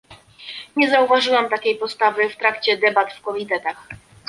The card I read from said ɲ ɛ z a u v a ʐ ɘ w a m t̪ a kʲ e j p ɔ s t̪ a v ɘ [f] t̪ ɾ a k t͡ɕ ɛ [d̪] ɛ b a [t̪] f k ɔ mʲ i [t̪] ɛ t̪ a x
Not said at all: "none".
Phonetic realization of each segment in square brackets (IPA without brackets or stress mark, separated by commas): f, d̪, t̪, t̪